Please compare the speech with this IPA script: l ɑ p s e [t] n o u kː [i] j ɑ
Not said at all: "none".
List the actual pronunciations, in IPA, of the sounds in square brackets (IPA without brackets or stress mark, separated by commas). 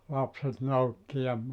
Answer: t, i